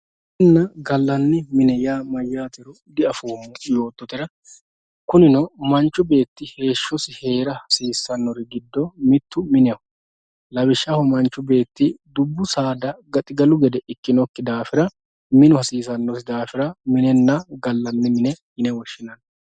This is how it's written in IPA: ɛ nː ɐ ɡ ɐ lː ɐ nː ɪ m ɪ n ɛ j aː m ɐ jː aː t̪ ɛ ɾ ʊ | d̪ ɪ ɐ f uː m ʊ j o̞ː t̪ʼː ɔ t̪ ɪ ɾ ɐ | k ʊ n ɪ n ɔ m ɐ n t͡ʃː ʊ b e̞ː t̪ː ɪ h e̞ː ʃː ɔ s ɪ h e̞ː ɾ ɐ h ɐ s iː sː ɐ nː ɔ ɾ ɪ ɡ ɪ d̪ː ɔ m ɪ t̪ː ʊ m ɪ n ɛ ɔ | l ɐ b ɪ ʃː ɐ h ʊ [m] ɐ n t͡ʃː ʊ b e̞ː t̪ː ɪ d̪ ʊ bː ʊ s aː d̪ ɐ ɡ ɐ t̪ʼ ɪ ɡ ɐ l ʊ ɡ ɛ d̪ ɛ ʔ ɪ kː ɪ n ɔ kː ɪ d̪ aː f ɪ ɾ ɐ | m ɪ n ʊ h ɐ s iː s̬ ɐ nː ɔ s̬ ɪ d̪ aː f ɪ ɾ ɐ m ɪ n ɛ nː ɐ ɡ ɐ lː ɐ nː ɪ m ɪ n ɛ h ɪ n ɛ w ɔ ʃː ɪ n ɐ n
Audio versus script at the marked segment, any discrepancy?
no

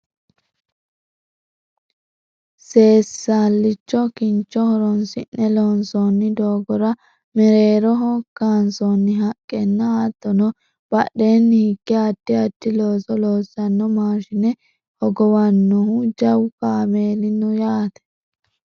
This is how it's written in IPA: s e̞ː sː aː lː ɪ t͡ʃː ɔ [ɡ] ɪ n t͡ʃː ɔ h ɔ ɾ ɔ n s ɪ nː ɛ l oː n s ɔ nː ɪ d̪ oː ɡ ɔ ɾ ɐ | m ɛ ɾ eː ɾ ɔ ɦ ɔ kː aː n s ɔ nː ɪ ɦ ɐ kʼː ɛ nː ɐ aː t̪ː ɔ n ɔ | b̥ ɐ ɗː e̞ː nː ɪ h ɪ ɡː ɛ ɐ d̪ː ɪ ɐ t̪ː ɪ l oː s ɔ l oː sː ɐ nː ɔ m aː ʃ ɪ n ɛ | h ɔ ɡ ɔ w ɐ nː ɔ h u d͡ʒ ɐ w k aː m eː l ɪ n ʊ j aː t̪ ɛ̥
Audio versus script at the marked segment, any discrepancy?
yes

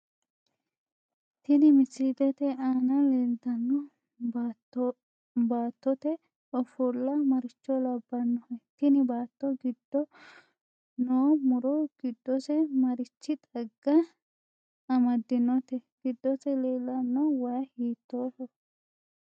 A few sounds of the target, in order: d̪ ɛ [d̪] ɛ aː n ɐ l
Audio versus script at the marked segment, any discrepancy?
yes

